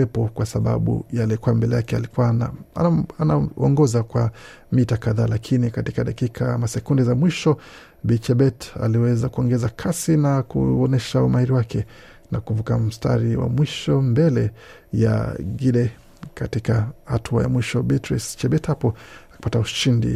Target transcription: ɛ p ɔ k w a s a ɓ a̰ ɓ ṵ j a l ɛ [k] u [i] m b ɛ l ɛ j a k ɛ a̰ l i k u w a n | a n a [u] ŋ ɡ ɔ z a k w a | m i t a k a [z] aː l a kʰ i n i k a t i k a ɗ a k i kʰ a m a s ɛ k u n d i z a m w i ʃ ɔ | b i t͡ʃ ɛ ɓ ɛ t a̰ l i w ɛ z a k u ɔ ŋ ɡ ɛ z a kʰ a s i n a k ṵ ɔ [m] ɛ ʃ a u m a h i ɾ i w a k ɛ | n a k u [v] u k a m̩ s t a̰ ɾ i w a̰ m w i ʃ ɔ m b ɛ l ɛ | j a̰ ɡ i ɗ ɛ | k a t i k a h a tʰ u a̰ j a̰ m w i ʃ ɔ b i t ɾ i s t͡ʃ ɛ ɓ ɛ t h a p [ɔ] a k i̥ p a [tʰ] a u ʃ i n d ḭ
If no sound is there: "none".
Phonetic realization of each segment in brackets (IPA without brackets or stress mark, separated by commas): k, a, ɔ, ð, n, v, ɔ, t